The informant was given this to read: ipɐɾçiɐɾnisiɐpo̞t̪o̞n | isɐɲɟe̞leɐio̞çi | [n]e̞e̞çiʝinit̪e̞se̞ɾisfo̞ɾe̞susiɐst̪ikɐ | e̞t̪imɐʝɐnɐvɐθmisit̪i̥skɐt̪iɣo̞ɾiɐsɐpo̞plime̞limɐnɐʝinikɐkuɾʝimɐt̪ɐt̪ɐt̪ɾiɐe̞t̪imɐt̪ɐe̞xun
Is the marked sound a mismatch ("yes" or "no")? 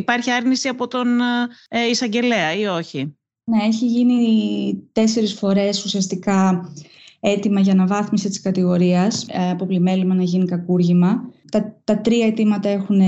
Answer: no